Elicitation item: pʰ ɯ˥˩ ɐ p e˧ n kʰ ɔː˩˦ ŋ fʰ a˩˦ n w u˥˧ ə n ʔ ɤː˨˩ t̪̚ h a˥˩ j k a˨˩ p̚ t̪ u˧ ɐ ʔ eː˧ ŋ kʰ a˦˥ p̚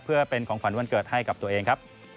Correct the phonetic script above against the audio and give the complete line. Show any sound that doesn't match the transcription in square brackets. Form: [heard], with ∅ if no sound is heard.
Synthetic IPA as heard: pʰ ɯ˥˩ ɐ p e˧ n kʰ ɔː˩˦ ŋ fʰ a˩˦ n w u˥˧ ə n [k] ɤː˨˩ t̪̚ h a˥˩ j k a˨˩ p̚ t̪ u˧ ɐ ʔ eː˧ ŋ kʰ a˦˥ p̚